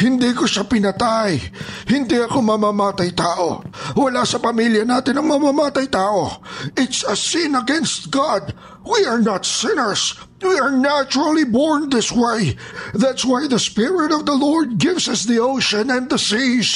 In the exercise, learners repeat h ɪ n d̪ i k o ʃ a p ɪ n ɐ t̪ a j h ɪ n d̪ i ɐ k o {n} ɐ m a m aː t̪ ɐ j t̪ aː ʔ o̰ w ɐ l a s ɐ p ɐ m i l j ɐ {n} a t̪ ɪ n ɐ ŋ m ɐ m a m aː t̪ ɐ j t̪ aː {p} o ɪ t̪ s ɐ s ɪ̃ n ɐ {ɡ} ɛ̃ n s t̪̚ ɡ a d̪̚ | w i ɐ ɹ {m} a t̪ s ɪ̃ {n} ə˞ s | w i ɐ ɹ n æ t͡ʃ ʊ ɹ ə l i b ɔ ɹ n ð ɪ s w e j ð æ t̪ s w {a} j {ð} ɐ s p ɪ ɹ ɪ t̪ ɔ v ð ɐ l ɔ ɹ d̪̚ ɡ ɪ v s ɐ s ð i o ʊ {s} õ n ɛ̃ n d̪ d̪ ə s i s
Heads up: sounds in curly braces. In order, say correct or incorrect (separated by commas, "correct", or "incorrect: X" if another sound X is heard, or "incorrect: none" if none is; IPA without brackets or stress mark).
incorrect: m, correct, incorrect: ʔ, correct, incorrect: n, correct, correct, correct, incorrect: ʃ